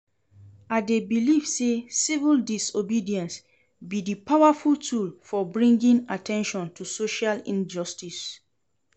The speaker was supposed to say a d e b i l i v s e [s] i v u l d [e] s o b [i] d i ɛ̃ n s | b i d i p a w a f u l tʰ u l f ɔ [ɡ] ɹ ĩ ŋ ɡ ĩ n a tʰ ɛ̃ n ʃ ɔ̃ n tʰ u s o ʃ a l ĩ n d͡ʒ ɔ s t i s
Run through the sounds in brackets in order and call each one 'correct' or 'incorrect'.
correct, incorrect: i, correct, incorrect: b

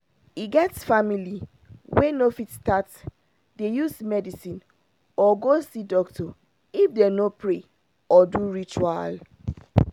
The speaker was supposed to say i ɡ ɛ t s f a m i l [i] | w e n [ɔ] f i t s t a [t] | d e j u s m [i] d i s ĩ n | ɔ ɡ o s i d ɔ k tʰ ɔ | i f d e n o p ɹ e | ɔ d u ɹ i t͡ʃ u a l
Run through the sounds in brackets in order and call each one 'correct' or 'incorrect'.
correct, incorrect: o, correct, incorrect: ɛ

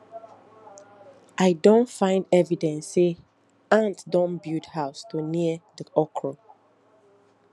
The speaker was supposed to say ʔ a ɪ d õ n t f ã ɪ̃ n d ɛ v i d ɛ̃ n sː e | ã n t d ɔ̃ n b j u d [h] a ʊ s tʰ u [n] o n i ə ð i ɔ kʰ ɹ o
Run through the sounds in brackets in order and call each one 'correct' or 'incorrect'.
correct, incorrect: none

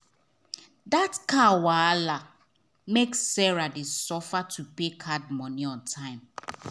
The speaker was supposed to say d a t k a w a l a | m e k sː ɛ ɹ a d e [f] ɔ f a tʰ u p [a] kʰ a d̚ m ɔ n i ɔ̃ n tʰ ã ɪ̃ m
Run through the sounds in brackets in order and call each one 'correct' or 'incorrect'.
incorrect: s, incorrect: e

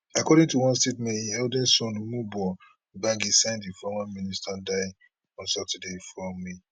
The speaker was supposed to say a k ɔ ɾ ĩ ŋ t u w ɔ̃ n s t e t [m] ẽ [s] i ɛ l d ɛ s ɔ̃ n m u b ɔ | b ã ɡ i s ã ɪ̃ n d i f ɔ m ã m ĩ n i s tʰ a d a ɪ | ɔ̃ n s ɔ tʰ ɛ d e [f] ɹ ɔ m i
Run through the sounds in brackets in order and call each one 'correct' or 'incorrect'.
correct, incorrect: none, correct

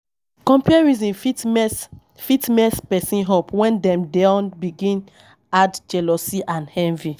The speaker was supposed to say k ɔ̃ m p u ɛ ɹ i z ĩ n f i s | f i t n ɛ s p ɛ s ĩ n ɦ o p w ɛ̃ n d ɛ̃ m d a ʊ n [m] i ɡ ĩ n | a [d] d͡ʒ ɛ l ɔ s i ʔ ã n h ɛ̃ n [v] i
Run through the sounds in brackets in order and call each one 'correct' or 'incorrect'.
incorrect: b, correct, correct

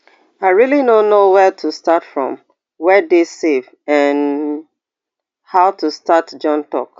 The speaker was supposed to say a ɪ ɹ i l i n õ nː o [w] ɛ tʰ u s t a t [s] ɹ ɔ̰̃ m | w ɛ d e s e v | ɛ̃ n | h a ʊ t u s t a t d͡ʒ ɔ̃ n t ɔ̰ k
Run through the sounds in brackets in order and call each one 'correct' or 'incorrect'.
correct, incorrect: f

